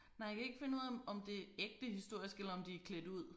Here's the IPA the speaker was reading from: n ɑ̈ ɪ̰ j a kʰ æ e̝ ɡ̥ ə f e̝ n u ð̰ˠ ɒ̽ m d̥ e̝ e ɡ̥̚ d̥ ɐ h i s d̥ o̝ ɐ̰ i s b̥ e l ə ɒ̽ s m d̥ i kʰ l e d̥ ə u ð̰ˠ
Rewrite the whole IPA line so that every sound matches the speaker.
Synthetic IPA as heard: n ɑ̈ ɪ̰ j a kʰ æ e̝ ɡ̥ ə f e̝ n u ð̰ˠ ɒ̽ m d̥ e̝ e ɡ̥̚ d̥ ə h i s d̥ o̝ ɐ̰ i s ɡ̥ e l ɐ ɒ̽ m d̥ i kʰ l e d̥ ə u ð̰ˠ